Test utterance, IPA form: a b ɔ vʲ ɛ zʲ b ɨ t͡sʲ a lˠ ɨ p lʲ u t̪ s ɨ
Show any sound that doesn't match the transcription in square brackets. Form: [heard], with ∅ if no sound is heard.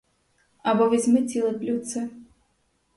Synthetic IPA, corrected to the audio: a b ɔ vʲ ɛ zʲ [m] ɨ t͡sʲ [i] lˠ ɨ p lʲ u t̪ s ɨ